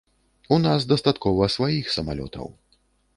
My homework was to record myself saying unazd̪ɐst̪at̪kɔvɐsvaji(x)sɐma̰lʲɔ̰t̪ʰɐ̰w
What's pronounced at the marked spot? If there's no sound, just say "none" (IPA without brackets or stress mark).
x